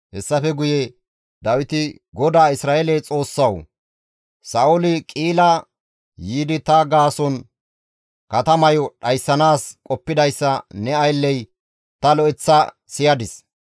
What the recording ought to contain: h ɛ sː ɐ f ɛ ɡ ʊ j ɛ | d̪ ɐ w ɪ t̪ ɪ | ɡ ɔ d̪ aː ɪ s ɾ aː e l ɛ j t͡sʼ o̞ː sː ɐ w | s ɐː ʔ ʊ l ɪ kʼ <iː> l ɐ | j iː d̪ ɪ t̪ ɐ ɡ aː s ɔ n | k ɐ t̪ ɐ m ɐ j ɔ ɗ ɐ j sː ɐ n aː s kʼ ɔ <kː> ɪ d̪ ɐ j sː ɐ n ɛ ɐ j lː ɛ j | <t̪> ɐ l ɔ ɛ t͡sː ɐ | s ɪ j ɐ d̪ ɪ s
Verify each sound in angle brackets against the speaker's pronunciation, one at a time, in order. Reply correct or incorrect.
correct, incorrect: pː, correct

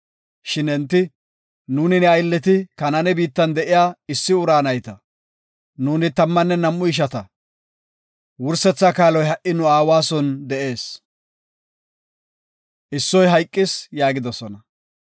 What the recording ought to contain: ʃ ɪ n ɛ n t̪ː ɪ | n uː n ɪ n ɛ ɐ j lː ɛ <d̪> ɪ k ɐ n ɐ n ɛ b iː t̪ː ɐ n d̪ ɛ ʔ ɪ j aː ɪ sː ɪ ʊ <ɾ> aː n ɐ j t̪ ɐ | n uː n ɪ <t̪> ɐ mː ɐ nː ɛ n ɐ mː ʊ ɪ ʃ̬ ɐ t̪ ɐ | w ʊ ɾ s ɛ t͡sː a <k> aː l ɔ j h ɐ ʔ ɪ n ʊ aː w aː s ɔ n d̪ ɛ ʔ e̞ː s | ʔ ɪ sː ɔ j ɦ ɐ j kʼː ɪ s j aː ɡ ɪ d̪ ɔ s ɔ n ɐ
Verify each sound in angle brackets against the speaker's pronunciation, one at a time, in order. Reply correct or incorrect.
incorrect: t̪, correct, correct, correct

